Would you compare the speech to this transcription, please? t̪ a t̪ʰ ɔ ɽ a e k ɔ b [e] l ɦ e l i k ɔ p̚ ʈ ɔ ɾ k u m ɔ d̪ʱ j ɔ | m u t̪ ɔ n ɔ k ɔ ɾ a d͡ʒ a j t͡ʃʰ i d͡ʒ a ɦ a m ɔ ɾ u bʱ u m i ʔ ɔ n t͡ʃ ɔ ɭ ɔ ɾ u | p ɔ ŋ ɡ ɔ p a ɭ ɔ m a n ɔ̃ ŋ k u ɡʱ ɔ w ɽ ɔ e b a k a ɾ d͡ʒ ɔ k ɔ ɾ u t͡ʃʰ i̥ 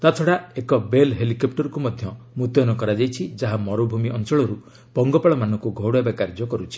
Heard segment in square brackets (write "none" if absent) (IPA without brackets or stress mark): e